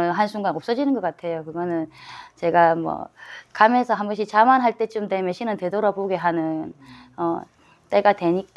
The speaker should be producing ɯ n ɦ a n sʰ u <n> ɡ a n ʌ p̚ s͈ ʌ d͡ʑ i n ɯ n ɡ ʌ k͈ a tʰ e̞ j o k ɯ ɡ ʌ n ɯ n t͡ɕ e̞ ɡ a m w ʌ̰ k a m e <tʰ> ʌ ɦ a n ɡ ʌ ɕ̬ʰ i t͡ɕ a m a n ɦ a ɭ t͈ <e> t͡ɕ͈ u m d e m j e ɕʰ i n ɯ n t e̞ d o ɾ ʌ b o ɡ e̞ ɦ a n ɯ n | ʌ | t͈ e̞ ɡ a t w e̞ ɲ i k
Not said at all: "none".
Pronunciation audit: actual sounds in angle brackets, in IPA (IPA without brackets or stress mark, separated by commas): ŋ, sʰ, e